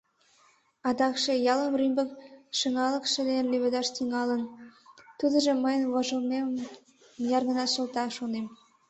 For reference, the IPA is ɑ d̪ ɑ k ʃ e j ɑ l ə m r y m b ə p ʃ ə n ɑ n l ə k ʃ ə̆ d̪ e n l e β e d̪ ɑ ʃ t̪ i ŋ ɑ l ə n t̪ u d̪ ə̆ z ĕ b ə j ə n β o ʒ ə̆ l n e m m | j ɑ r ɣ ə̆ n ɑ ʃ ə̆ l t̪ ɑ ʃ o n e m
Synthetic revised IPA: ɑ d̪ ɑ k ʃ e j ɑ l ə m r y m b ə k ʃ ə ŋ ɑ l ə k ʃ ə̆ d̪ e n l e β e d̪ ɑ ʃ t̪ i ŋ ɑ l ə n t̪ u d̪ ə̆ ʒ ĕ m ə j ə n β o ʒ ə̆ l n e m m | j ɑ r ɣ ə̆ n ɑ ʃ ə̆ l t̪ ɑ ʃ o n e m